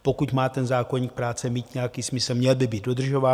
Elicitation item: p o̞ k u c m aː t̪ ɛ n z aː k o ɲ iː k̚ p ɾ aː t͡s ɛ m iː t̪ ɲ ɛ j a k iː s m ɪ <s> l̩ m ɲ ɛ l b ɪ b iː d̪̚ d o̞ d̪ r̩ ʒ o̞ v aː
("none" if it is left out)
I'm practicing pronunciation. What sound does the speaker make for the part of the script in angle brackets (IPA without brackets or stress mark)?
s